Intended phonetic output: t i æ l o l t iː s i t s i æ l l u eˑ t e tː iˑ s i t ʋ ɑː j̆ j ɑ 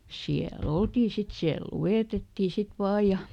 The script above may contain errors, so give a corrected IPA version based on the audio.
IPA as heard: s i æ l o l t iː s i t s i æ l l u eˑ t e tː iˑ s i t ʋ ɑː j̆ j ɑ